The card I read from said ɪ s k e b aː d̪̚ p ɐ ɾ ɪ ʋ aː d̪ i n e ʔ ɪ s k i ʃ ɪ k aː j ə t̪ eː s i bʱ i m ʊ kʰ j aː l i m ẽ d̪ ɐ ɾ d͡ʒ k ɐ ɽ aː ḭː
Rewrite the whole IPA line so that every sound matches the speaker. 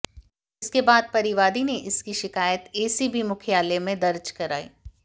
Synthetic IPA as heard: ɪ s k e b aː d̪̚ p ɐ ɾ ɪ ʋ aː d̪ i n e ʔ ɪ s k i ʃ ɪ k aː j ə t̪ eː s i bʱ i m ʊ kʰ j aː l e m ẽ d̪ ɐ ɾ d͡ʒ k ɐ ɾ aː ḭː